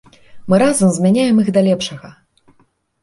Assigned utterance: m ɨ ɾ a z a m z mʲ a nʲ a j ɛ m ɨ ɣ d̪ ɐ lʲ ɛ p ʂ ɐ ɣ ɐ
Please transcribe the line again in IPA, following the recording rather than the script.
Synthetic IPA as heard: m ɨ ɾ a z ɐ m z mʲ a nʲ a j ɛ m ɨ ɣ d̪ ɐ lʲ ɛ p ʂ ɐ ɣ ɐ

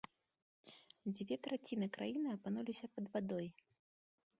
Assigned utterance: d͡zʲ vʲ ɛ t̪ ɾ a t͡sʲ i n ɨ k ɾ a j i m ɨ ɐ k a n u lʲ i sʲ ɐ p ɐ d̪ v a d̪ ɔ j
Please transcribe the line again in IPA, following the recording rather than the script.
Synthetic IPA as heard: d͡zʲ vʲ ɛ t̪ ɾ a t͡sʲ i n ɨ k ɾ a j i n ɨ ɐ p a n u lʲ i sʲ ɐ p ɐ d̪ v a d̪ ɔ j

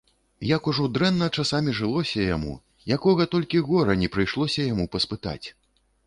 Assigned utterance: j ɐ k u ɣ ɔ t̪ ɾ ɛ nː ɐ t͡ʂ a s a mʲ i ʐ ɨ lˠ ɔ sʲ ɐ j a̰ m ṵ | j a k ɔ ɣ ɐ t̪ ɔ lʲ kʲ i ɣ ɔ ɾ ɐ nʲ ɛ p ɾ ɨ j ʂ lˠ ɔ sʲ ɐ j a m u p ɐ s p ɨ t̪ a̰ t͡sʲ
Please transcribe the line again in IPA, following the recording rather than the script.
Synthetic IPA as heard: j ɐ k u ʐ ɔ d̪ ɾ ɛ nː ɐ t͡ʂ a s a mʲ i ʐ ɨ lˠ ɔ sʲ ɐ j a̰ m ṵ | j a k ɔ ɣ ɐ t̪ ɔ lʲ kʲ i ɣ ɔ ɾ ɐ nʲ ɛ p ɾ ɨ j ʂ lˠ ɔ sʲ ɐ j a m u p ɐ s p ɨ t̪ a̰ t͡sʲ

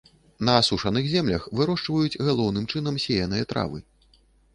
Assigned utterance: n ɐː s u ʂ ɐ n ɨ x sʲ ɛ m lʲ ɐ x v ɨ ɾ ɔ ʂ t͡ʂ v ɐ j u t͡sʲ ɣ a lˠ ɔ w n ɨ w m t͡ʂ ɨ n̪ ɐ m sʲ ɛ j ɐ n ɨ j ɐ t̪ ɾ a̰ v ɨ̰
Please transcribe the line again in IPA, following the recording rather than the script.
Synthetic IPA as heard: n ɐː s u ʂ ɐ n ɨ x zʲ ɛ m lʲ ɐ x v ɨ ɾ ɔ ʂ t͡ʂ v ɐ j u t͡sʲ ɣ a lˠ ɔ w n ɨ m t͡ʂ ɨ n̪ ɐ m sʲ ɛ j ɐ n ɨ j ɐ t̪ ɾ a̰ v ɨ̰

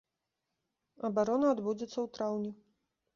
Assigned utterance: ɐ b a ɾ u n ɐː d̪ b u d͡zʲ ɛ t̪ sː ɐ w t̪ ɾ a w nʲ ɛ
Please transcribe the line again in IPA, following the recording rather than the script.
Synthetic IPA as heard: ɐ b a ɾ ɔ n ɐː d̪ b u d͡zʲ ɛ t̪ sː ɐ w t̪ ɾ a w nʲ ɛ

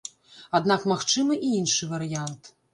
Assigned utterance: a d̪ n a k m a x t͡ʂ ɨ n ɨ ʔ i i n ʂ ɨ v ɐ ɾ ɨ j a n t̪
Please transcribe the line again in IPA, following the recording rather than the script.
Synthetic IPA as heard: a d̪ n a k m a x t͡ʂ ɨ m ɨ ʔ i i n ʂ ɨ v ɐ ɾ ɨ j a n t̪

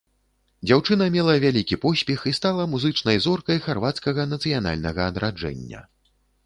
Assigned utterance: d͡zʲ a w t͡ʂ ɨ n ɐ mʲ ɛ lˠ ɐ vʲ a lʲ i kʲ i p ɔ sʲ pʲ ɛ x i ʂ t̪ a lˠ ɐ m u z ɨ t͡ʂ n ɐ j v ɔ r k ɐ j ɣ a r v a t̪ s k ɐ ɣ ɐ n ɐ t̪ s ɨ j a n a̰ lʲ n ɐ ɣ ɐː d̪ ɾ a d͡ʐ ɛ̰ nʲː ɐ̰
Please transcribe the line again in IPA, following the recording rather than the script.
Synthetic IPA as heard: d͡zʲ a w t͡ʂ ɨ n ɐ mʲ ɛ lˠ ɐ vʲ a lʲ i kʲ i p ɔ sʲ pʲ ɛ x i s t̪ a lˠ ɐ m u z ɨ t͡ʂ n ɐ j z ɔ r k ɐ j x a r v a t̪ s k ɐ ɣ ɐ n ɐ t̪ s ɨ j a n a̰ lʲ n ɐ ɣ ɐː d̪ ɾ a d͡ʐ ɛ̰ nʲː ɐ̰

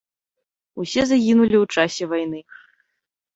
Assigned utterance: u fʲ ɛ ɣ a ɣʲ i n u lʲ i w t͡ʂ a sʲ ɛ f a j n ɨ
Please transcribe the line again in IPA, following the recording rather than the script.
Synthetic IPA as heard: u sʲ ɛ z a ɣʲ i n u lʲ i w t͡ʂ a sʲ ɛ v a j n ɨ

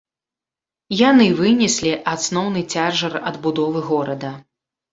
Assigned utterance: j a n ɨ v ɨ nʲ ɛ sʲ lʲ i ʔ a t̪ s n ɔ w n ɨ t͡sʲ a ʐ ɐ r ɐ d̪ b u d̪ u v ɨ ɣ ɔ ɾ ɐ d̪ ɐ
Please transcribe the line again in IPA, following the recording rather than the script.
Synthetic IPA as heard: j a n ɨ v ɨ nʲ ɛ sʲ lʲ i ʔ a t̪ s n ɔ w n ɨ t͡sʲ a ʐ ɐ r ɐ d̪ b u d̪ ɔ v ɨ ɣ ɔ ɾ ɐ d̪ ɐ

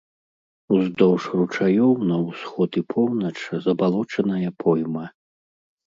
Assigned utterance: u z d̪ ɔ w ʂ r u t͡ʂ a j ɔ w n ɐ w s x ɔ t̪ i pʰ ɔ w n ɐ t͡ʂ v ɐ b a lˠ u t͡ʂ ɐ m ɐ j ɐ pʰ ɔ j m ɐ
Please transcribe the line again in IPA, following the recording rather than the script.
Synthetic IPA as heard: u z d̪ ɔ w ʂ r u t͡ʂ a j ɔ w n ɐ w s x ɔ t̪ i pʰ ɔ w n ɐ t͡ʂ z ɐ b a lˠ ɔ t͡ʂ ɐ n ɐ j ɐ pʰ ɔ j m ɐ

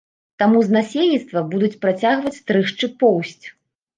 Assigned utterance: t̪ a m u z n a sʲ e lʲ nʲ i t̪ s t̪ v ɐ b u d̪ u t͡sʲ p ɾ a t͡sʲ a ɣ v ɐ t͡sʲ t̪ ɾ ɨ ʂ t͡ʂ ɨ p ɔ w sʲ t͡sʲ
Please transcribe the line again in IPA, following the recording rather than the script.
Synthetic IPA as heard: t̪ a m u z n a sʲ e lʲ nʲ i t̪ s t̪ v ɐ b u d̪ u t͡sʲ p ɾ a t͡sʲ a ɣ v ɐ t͡sʲ t̪ ɾ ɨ ʂ t͡ʂ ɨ p ɔ w sʲ t͡sʲ

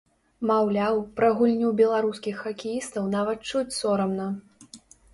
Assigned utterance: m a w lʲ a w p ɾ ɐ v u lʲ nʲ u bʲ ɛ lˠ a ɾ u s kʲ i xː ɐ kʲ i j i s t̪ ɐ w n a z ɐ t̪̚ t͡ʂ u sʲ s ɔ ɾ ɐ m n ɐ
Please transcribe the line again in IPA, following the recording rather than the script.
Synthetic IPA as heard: m a w lʲ a w p ɾ ɐ ɣ u lʲ nʲ u bʲ ɛ lˠ a ɾ u s kʲ i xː ɐ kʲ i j i s t̪ ɐ w n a v ɐ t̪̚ t͡ʂ u t͡sʲ s ɔ ɾ ɐ m n ɐ

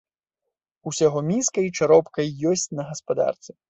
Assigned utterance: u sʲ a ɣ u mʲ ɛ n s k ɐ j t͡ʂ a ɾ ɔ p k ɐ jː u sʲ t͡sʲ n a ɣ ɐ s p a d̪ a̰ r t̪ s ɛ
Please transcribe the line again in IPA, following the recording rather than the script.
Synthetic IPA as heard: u sʲ a ɣ ɔ mʲ i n s k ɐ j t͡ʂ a ɾ ɔ p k ɐ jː ɔ sʲ t͡sʲ n ɐ ɣ ɐ s p a d̪ a̰ r t̪ s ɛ

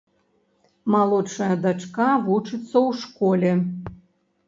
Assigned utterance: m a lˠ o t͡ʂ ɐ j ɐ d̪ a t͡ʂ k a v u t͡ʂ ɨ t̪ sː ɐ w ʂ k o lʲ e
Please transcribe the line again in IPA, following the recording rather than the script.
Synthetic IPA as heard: m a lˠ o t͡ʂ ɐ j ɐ d̪ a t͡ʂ k a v u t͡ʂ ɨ t̪ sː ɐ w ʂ k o lʲ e

